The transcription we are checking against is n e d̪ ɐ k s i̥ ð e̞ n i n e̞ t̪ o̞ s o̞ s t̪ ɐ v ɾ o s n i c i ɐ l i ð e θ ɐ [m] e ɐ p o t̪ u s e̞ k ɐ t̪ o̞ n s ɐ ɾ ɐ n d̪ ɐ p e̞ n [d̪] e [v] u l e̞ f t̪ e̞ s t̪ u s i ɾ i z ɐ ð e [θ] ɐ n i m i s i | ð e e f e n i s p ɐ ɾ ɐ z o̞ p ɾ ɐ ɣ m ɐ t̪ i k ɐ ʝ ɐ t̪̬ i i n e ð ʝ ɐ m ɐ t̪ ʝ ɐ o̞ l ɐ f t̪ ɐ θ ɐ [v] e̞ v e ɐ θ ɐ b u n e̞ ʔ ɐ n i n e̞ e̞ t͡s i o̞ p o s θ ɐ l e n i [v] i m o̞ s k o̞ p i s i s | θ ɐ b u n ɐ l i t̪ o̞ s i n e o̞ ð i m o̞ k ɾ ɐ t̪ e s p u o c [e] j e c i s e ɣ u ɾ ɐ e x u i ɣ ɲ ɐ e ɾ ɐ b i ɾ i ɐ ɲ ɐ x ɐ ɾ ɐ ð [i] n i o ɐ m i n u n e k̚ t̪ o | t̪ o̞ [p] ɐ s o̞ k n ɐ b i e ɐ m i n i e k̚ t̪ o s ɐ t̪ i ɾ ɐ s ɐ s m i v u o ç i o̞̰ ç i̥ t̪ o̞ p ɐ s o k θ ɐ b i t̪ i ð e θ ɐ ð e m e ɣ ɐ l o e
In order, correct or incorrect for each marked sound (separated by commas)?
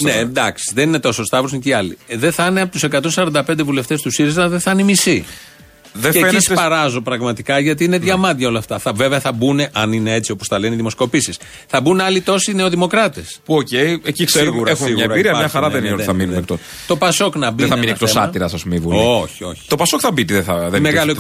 incorrect, correct, correct, correct, correct, incorrect, correct, incorrect, correct